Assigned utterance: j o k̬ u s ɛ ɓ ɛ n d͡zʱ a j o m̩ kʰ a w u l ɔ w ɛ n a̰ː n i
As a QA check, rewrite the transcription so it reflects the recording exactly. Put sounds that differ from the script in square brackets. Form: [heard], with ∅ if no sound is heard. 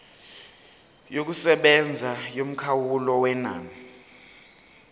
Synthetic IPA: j o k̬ u s ɛ ɓ ɛ n d͡zʱ a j o m̩ kʰ a w u l ɔ w ɛ n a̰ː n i